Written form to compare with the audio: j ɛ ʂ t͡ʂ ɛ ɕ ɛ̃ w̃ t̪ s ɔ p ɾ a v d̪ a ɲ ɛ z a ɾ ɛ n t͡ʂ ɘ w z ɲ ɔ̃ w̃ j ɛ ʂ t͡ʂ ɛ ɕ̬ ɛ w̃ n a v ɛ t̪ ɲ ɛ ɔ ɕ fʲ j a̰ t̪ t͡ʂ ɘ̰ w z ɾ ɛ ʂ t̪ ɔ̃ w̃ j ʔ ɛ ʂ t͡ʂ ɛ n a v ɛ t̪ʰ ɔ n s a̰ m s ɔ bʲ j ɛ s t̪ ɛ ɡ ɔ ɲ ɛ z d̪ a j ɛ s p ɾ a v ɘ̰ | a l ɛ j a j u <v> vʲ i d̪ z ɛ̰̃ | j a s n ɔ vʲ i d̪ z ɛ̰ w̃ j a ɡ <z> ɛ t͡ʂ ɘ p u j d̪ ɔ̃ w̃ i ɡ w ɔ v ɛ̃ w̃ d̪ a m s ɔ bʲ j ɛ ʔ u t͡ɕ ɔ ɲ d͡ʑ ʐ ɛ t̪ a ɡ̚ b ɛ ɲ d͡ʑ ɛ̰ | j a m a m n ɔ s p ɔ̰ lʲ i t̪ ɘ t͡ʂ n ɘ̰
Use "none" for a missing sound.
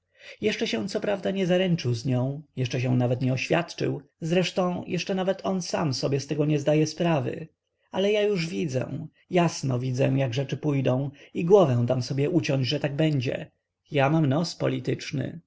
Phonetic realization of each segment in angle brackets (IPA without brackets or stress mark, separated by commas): ʐ, ʐ